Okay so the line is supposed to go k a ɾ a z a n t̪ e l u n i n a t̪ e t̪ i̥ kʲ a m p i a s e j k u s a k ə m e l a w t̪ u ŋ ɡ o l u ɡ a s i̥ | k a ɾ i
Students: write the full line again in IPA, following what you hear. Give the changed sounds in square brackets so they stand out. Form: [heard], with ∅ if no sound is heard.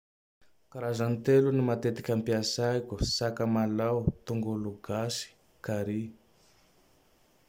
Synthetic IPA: k a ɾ a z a n t̪ e l u n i [m] a t̪ e t̪ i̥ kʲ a m p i a s [a] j k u s a k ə m [a] l a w t̪ u ŋ ɡ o l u ɡ a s i̥ | k a ɾ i

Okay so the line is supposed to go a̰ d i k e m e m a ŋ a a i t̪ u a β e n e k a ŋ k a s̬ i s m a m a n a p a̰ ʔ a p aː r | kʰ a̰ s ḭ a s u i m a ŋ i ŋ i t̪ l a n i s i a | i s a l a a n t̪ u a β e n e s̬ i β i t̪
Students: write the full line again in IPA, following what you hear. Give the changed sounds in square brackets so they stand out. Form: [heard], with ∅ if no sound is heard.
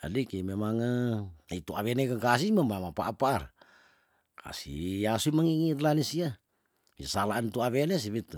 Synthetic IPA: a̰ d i k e m e m a ŋ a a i t̪ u a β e n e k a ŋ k a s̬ i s m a m a [m] a p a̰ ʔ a p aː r | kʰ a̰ s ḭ a s u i m a ŋ i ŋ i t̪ l a n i s i a | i s a l a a n t̪ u a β e n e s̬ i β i t̪

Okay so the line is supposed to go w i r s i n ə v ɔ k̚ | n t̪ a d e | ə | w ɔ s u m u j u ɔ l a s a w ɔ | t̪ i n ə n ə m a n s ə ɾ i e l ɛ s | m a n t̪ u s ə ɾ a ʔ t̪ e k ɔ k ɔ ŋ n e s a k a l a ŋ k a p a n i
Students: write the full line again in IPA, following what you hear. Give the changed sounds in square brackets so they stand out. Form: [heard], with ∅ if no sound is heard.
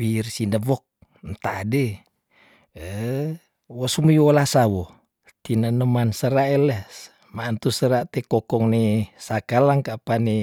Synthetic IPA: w i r s i n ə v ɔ k̚ | n t̪ a d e | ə | w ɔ s u m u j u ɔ l a s a w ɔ | t̪ i n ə n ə m a n s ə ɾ [a] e l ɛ s | m a n t̪ u s ə ɾ a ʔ t̪ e k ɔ k ɔ ŋ n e s a k a l a ŋ k a p a n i

